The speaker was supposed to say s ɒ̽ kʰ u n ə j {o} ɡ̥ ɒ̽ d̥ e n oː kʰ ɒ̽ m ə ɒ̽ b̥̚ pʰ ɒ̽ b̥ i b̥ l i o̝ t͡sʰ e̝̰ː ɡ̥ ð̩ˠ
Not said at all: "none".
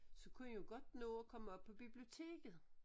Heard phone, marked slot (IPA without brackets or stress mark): o